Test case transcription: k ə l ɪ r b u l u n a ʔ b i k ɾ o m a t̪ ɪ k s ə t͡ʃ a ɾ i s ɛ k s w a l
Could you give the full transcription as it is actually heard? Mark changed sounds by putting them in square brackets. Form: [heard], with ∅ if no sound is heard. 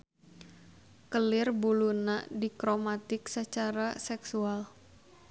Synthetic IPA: k ə l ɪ r b u l u n a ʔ [d] i k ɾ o m a t̪ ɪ k s ə t͡ʃ a ɾ [a] s ɛ k s [u] a l